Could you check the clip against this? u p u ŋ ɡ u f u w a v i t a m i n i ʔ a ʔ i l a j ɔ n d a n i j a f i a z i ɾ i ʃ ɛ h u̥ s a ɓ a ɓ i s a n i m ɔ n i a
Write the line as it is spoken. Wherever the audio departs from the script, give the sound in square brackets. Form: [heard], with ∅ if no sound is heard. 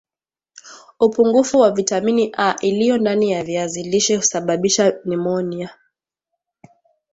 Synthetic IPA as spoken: u p u ŋ ɡ u f u w a v i t a m i n i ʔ a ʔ i l [i] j ɔ n d a n i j a [v] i a z i [l] i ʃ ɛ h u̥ s a ɓ a ɓ i [ʃ] a n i m ɔ n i a

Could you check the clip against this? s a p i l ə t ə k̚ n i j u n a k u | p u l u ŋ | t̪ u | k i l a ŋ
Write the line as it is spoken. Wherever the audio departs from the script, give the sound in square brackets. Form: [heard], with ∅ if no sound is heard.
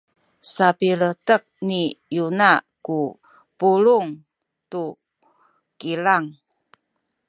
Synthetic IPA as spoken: s a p i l ə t ə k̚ n i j u n a k u | p u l u ŋ | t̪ u | k i l a ŋ

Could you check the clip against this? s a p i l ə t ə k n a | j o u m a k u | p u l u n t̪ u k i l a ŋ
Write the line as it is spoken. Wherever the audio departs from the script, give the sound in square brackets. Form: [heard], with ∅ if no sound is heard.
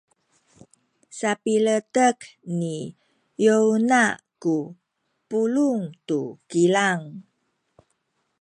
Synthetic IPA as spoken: s a p i l ə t ə k n [i] | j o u [n] a k u | p u l u [ŋ] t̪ u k i l a ŋ

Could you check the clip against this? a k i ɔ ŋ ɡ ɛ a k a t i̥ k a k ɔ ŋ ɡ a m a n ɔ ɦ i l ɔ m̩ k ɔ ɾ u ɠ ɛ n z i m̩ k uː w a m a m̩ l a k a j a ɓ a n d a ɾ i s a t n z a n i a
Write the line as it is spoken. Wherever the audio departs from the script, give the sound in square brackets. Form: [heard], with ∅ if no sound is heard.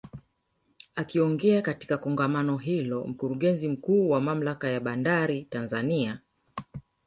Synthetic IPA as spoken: a k i ɔ ŋ ɡ ɛ a k a t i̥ k a k ɔ ŋ ɡ a m a n ɔ ɦ i l ɔ m̩ k [u] ɾ u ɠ ɛ n z i m̩ k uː w a m a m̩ l a k a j a ɓ a n d a ɾ i [t] a [∅] n z a n i a

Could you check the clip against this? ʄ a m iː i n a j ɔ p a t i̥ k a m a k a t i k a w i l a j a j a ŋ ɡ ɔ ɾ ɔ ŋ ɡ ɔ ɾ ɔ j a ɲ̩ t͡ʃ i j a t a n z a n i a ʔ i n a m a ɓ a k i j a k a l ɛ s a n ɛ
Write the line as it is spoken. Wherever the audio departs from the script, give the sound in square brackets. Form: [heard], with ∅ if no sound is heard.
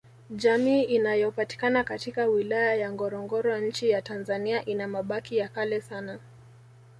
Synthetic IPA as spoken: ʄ a m iː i n a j ɔ p a t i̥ k a [n] a k a t i k a w i l a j a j a ŋ ɡ ɔ ɾ ɔ ŋ ɡ ɔ ɾ ɔ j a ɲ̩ t͡ʃ i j a t a n z a n i a ʔ i n a m a ɓ a k i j a k a l ɛ s a n [a]

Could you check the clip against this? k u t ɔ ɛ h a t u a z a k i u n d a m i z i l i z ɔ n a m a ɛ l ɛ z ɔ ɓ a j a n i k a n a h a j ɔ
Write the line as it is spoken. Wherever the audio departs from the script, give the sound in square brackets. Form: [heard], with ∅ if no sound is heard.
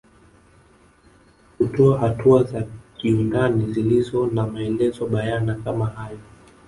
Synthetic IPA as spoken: k u t ɔ [a] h a t u a z a k i u n d a [n] i z i l i z ɔ n a m a ɛ l ɛ z ɔ ɓ a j a n [a] k a [m] a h a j ɔ

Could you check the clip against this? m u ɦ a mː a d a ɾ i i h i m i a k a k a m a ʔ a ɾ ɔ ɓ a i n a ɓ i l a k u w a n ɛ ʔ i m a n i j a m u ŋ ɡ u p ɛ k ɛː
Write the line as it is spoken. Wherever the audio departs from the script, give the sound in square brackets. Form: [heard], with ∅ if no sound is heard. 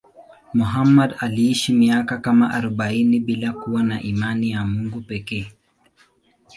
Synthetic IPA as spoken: m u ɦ a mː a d a [l] i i [ʃ] i m i a k a k a m a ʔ a ɾ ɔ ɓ a i n [i] ɓ i l a k u w a n [a] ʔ i m a n i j a m u ŋ ɡ u p ɛ k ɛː

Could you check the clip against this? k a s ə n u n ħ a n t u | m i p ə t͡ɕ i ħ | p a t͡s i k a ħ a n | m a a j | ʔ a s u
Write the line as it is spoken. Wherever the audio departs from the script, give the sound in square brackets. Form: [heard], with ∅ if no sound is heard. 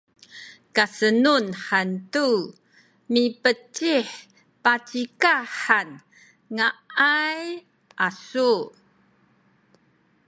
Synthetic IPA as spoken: k a s ə n u n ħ a n t u | m i p ə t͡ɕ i ħ | p a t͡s i k a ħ a n | [ŋ] a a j | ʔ a s u

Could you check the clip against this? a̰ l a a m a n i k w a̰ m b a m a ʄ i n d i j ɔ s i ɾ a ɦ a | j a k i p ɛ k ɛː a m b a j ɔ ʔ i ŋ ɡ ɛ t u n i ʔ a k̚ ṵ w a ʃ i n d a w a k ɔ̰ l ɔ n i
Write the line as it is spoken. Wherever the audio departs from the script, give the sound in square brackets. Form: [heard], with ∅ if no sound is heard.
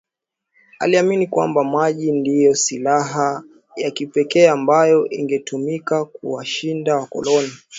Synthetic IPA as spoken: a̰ l [i] a m [i] n i k w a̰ m b a m a ʄ i n d i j ɔ s i [l] a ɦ a | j a k i p ɛ k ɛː a m b a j ɔ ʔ i ŋ ɡ ɛ t u [m] i [k] a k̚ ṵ w a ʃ i n d a w a k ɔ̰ l ɔ n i

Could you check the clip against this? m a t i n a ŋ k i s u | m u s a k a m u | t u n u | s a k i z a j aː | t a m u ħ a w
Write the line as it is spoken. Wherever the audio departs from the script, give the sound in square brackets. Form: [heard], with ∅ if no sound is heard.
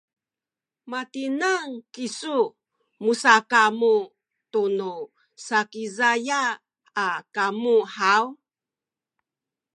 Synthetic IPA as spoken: m a t i n a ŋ k i s u | m u s a k a m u | t u n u | s a k i z a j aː | [k] a m u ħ a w

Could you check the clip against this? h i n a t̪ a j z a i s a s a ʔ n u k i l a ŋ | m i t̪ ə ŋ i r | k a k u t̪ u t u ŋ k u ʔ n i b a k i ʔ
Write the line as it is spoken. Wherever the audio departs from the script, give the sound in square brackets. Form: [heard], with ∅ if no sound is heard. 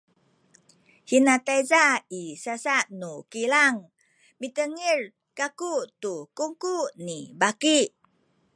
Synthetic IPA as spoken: h i n a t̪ a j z a i s a s a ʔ n u k i l a ŋ | m i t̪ ə ŋ i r | k a k u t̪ u [k] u ŋ k u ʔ n i b a k i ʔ

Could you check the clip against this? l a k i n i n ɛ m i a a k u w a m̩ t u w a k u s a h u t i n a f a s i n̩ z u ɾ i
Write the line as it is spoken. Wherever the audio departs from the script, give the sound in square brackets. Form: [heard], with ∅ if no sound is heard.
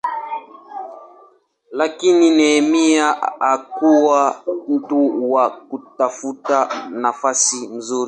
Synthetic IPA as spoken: l a k i n i n ɛ m i a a k u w a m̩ t u w a k u [t] a [f] u t [a] n a f a s i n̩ z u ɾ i

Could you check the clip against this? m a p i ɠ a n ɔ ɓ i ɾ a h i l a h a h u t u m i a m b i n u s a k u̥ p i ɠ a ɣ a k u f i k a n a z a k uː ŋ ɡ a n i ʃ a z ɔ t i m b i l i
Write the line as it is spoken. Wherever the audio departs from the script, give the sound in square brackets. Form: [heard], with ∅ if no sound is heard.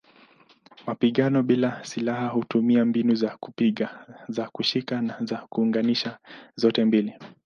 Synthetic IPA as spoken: m a p i ɠ a n ɔ ɓ i [l] a [s] i l a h a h u t u m i a m b i n u [z] a k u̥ p i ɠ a [z] a k u [ʃ] i k a n a z a k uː ŋ ɡ a n i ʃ a z ɔ t [ɛ] m b i l i

